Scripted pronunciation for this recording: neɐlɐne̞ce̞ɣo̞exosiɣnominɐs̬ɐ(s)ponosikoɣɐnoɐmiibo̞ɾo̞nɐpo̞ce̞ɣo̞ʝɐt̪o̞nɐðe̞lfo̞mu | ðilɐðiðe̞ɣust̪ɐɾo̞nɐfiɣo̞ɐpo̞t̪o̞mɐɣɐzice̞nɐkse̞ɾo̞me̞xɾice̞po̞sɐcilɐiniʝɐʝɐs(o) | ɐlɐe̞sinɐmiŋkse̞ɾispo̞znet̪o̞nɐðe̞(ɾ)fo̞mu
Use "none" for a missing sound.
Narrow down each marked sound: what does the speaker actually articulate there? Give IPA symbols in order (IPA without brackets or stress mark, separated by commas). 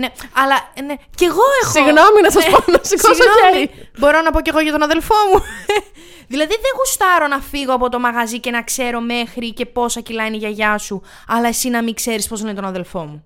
s, u, l